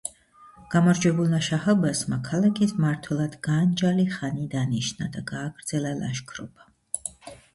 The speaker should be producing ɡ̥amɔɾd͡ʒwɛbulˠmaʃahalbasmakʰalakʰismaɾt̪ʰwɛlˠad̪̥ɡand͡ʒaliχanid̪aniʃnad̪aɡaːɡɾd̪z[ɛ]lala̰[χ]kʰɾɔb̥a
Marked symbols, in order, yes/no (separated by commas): yes, no